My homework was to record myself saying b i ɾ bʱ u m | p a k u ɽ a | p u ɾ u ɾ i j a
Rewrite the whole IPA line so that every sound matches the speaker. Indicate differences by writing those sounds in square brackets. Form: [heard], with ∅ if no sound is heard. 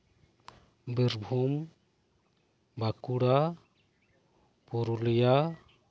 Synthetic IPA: b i ɾ bʱ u m | [b] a k u ɽ a | p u ɾ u [l] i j a